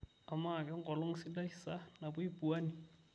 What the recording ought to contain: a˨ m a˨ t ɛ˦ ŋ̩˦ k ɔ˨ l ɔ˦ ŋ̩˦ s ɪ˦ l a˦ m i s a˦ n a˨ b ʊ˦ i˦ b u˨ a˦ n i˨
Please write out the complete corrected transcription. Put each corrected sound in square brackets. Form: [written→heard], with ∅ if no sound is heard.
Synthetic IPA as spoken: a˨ m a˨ [t→k] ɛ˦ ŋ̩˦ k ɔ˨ l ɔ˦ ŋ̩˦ s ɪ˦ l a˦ [m→∅] i s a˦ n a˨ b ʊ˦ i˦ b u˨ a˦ n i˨